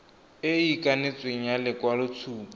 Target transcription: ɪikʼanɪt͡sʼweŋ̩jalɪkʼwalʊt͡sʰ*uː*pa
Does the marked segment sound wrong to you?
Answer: no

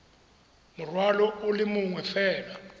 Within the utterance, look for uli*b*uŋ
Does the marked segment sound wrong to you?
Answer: yes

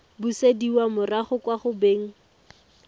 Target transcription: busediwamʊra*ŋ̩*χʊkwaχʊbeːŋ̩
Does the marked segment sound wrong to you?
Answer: yes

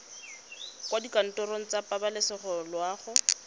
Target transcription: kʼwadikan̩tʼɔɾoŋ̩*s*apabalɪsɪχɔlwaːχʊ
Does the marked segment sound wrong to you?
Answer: yes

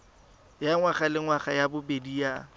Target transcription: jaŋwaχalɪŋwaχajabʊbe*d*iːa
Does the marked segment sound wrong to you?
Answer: no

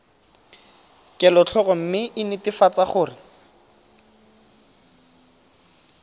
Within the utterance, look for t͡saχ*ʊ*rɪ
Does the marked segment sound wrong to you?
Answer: yes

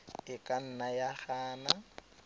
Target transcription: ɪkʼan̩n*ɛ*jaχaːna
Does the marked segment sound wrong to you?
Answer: yes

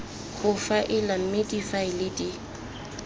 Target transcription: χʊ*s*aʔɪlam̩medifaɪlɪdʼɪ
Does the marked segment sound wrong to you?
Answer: yes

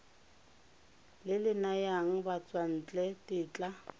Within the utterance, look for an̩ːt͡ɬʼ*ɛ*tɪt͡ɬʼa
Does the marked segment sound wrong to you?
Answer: no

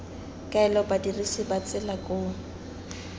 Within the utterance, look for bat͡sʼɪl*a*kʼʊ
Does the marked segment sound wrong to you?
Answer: no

